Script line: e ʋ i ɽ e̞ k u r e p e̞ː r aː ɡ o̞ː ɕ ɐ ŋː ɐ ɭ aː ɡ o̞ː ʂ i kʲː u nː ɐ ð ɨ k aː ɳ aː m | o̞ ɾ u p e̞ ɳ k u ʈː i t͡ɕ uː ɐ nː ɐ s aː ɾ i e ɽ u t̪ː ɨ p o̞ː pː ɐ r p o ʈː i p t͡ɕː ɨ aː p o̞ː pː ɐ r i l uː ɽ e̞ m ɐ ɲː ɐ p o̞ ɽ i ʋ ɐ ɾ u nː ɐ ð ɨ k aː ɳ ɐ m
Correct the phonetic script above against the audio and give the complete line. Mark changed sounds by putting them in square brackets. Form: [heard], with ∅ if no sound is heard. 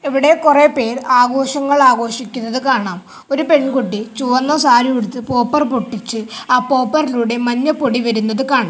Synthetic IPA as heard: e ʋ i ɽ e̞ k u r e p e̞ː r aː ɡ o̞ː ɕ ɐ ŋː ɐ ɭ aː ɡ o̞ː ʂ i kʲː u nː ɐ ð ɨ k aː ɳ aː m | o̞ ɾ u p e̞ ɳ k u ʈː i t͡ɕ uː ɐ nː ɐ s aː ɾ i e ɽ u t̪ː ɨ p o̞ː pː ɐ r p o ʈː i [∅] t͡ɕː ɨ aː p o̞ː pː ɐ r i l uː ɽ e̞ m ɐ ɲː ɐ p o̞ ɽ i ʋ ɐ ɾ u nː ɐ ð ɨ k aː ɳ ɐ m